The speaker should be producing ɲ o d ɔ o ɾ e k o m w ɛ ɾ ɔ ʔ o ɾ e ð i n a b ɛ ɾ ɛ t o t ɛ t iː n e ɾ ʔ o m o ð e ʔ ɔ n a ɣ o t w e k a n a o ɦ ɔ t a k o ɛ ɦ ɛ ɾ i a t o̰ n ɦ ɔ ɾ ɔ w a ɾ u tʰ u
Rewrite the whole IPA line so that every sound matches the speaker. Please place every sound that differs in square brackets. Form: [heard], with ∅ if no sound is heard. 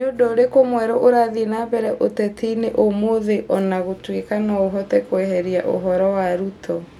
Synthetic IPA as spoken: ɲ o d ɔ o ɾ e k o m w ɛ ɾ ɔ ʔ o ɾ [a] ð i n a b ɛ ɾ ɛ [ʔ] o t ɛ t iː n e [∅] ʔ o m o ð e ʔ ɔ n a ɣ o t w e k a n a o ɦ ɔ t [ɛ] k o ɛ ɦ ɛ ɾ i a [ʔ] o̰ [∅] ɦ ɔ ɾ ɔ w a ɾ u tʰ [ɔ]